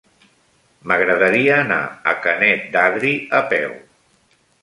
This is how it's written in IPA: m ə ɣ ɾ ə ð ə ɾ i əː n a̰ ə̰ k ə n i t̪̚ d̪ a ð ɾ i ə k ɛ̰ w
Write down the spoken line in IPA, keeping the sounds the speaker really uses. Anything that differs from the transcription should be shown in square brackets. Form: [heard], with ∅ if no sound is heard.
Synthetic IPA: m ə ɣ ɾ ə ð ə ɾ i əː n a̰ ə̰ k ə n [ɛ] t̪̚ d̪ a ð ɾ i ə [p] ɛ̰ w